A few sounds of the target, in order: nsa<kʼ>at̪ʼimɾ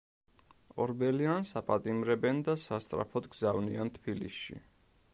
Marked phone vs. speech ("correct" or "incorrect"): incorrect